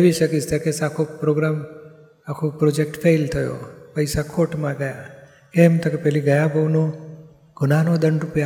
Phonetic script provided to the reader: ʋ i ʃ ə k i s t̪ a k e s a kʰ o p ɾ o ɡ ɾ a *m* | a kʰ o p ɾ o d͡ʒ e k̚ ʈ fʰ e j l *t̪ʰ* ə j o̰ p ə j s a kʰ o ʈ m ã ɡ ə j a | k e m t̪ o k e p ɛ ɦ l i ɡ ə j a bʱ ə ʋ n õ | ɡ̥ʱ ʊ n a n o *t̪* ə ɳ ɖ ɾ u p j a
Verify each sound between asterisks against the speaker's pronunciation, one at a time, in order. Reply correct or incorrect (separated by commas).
correct, correct, incorrect